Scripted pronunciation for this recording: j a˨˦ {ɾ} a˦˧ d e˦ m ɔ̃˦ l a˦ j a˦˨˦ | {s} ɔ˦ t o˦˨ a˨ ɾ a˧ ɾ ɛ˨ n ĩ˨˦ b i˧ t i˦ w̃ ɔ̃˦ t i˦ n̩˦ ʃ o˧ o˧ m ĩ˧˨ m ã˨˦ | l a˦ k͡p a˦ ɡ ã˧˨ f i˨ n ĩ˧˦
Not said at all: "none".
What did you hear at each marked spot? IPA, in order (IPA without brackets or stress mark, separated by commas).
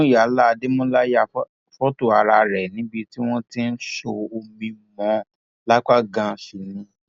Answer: l, f